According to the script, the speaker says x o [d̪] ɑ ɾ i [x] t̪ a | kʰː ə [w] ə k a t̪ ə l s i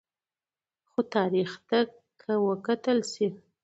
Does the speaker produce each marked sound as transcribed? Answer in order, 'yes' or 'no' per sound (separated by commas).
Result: no, yes, yes